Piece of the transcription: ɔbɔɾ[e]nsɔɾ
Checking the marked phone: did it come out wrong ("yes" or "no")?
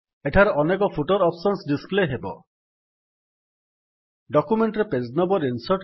yes